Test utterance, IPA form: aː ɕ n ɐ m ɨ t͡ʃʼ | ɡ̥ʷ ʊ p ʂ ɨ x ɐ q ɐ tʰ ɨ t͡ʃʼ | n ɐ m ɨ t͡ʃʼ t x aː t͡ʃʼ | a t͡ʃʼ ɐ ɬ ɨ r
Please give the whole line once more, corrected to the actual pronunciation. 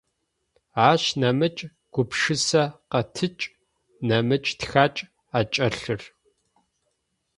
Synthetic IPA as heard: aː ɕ n ɐ m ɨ t͡ʃʼ | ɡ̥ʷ ʊ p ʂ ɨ s ɐ q ɐ tʰ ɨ t͡ʃʼ | n ɐ m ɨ t͡ʃʼ t x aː t͡ʃʼ | a t͡ʃʼ ɐ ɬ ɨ r